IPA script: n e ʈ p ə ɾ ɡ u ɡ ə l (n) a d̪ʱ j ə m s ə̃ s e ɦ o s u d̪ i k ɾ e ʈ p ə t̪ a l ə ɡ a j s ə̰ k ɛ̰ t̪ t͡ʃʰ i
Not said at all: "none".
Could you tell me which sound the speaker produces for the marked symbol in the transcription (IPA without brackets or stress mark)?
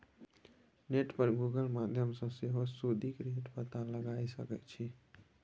m